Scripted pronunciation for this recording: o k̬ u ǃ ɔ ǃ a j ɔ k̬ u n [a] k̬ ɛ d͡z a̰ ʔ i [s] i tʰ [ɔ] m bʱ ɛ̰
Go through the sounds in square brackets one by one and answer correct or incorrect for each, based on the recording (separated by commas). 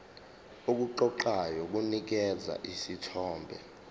incorrect, correct, incorrect